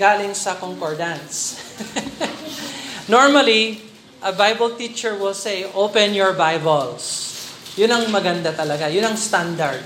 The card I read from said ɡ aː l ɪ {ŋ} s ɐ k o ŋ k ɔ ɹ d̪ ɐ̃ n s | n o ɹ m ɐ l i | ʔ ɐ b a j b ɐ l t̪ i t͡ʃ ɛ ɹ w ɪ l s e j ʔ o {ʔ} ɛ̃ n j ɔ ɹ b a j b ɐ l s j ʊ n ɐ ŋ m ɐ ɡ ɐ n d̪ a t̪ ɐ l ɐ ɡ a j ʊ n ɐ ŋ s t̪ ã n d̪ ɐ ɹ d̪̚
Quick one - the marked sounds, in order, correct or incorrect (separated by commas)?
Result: correct, incorrect